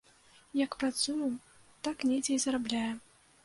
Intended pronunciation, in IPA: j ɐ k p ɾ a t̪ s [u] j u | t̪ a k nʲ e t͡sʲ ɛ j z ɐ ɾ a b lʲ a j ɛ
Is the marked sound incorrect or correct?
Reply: correct